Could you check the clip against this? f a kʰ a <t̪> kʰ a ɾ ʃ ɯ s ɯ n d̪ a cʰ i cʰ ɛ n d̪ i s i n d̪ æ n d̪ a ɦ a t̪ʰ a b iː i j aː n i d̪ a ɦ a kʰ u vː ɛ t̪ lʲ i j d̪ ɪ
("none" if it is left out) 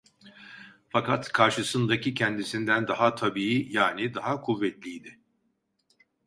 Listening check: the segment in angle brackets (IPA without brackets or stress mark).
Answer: t̪